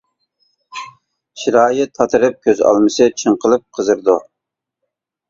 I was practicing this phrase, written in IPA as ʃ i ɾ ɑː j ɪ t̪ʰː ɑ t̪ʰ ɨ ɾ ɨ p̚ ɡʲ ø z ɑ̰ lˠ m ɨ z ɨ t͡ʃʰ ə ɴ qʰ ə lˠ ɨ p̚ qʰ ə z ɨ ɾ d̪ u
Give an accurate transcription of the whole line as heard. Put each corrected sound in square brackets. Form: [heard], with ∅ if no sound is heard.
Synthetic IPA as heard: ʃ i ɾ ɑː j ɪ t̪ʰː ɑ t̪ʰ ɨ ɾ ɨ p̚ [kʲ] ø z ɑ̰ lˠ m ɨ [s] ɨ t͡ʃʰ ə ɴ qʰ ə lˠ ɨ p̚ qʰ ə z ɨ ɾ d̪ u